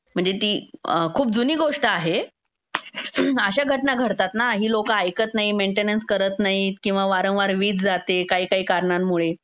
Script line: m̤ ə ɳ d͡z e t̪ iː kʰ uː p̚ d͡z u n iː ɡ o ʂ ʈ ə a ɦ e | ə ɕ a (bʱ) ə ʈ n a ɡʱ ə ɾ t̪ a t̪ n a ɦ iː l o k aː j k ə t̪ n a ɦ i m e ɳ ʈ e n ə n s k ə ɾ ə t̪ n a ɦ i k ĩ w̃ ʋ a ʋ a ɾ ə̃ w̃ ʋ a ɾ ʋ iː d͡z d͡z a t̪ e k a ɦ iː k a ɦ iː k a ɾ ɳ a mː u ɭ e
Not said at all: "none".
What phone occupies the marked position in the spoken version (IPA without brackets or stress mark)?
ɡʱ